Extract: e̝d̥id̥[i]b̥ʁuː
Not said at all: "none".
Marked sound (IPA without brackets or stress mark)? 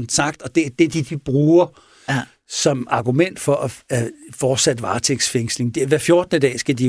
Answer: i